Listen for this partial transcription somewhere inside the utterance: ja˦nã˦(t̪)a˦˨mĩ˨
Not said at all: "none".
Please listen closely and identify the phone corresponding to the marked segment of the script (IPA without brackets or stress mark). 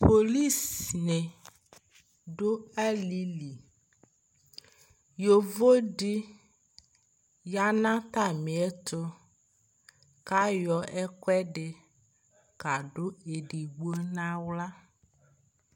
t̪